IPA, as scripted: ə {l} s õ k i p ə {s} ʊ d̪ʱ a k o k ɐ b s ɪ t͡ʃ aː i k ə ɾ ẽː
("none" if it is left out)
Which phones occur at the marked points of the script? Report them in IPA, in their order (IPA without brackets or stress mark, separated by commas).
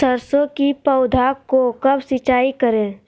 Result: ɾ, none